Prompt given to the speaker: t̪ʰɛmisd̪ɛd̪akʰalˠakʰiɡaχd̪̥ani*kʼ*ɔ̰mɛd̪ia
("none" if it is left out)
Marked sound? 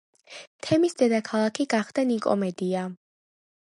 kʼ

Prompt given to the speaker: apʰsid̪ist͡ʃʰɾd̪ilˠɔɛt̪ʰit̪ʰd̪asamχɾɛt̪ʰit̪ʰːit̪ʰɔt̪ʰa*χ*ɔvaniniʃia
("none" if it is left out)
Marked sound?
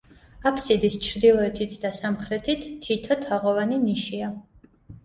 ʁ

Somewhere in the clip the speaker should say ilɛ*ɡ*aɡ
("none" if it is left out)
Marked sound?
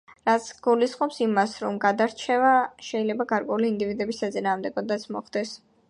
b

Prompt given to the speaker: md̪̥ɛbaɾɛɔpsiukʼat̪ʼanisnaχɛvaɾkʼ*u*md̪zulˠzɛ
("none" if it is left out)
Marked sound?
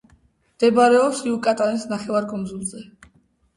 ɔ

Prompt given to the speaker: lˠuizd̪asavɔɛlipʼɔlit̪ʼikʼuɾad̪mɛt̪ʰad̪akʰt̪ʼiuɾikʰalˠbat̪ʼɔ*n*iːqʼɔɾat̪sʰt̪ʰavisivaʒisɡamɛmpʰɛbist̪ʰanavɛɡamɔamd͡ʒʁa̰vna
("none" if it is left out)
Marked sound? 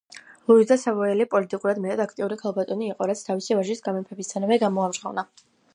n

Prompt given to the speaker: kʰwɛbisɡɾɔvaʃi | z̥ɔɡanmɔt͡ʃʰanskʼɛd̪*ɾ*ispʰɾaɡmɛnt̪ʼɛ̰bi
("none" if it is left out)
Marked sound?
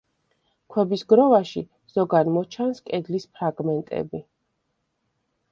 l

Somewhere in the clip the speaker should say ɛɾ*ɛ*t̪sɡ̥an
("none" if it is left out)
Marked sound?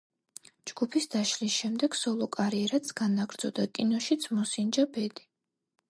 a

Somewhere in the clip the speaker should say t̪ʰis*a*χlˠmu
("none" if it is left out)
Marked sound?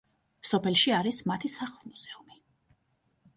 a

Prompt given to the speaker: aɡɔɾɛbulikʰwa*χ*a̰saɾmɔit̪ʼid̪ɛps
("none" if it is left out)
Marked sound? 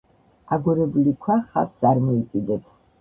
χ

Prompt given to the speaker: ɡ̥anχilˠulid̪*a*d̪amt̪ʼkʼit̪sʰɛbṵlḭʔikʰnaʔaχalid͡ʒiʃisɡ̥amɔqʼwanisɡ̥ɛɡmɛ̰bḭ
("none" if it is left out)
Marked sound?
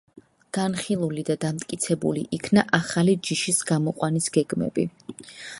a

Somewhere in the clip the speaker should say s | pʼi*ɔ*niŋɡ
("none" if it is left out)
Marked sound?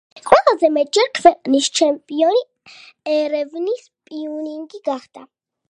u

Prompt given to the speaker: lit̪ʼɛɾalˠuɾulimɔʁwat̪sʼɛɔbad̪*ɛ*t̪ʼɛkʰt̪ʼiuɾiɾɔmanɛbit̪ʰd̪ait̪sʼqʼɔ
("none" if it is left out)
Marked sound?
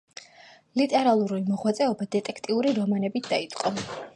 ɛ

